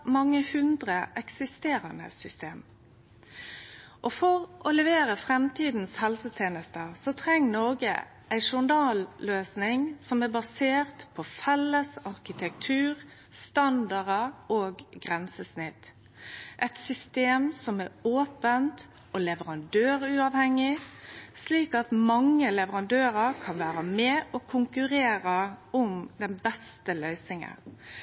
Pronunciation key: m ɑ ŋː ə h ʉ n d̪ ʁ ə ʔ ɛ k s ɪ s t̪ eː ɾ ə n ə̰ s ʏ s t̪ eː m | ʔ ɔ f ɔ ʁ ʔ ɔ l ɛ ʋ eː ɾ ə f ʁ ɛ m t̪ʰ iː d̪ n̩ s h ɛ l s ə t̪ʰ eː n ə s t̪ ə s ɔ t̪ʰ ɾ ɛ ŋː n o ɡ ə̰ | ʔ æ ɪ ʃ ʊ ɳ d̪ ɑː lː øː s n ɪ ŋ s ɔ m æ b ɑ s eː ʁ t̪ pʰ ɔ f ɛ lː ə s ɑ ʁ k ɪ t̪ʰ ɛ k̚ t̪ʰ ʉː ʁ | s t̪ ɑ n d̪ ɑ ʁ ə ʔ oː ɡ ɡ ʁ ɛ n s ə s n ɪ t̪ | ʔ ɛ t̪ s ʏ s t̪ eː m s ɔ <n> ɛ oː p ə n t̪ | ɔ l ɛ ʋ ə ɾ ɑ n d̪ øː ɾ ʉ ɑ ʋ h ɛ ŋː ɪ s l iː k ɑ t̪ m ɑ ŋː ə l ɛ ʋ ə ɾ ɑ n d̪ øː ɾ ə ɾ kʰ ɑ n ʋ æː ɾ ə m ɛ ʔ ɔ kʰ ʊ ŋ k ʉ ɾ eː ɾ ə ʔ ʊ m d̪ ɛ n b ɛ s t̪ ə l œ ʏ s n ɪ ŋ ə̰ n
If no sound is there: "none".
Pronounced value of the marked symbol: m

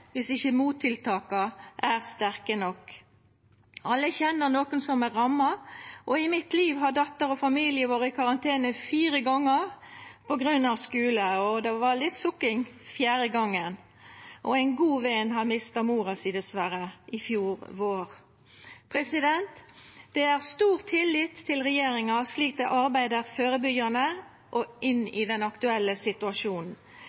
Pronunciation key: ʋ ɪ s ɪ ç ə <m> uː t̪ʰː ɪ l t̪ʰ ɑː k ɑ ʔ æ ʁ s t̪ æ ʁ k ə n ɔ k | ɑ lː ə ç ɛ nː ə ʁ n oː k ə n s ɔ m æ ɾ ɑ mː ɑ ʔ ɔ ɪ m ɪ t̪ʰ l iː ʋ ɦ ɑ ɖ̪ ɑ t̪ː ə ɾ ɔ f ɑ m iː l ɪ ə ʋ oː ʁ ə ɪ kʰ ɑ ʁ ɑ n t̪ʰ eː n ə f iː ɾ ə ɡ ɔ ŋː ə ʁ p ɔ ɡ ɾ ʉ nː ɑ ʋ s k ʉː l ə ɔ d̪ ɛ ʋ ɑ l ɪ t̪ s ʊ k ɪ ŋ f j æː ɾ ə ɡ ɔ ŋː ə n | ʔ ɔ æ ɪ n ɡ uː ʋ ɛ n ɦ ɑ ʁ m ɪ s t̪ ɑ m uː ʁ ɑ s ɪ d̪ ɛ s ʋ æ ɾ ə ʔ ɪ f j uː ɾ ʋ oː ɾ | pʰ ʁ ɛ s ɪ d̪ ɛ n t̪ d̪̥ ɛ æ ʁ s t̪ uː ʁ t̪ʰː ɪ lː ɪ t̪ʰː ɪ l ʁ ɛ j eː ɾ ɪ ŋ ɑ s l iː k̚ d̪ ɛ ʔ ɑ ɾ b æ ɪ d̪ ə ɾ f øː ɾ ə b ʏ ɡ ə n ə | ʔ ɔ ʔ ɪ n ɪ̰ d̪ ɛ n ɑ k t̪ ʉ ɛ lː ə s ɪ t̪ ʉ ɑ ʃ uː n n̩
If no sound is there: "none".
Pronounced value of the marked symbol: m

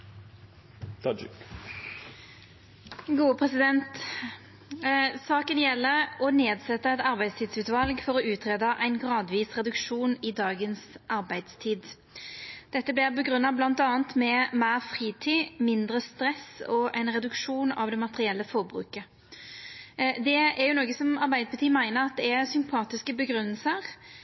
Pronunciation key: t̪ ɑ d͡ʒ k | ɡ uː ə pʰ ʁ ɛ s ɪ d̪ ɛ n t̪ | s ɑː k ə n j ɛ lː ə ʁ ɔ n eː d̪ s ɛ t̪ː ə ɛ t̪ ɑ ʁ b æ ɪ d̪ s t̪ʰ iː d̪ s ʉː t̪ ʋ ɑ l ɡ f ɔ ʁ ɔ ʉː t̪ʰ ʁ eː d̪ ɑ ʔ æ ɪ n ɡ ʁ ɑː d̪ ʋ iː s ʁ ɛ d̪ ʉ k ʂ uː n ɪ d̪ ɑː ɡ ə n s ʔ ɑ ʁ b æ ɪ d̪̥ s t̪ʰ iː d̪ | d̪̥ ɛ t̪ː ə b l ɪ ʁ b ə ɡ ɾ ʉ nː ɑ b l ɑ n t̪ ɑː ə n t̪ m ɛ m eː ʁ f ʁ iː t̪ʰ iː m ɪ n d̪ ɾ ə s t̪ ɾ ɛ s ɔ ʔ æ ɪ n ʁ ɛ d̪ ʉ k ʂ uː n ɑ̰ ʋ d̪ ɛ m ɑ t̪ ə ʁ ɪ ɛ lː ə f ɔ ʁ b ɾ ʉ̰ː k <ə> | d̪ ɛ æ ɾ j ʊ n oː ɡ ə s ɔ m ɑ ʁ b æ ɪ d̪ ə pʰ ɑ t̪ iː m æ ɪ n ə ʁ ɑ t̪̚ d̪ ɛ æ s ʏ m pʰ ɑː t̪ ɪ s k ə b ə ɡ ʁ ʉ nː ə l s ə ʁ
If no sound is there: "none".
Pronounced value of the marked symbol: ə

